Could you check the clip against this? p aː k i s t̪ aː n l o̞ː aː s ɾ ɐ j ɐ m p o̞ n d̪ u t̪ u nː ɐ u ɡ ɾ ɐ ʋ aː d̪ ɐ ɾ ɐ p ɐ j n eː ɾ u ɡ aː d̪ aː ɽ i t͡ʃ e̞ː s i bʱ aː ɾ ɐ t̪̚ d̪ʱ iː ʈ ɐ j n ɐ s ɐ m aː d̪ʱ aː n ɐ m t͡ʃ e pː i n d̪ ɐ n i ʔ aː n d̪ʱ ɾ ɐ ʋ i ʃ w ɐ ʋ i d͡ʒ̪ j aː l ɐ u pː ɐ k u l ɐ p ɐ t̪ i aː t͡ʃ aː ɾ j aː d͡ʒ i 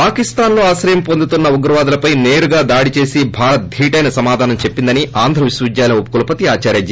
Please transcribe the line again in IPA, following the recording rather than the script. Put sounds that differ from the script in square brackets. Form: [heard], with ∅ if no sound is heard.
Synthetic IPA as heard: p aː k i s t̪ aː n l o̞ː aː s ɾ ɐ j ɐ m p o̞ n d̪ u t̪ u nː ɐ u ɡ ɾ ɐ ʋ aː d̪ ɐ [l] ɐ p ɐ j n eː ɾ u ɡ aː d̪ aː ɽ i t͡ʃ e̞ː s i bʱ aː ɾ ɐ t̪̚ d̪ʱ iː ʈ ɐ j n ɐ s ɐ m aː d̪ʱ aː n ɐ m t͡ʃ e pː i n d̪ ɐ n i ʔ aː n d̪ʱ ɾ ɐ ʋ i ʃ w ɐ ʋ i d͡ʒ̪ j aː l ɐ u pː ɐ k u l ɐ p ɐ t̪ i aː t͡ʃ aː ɾ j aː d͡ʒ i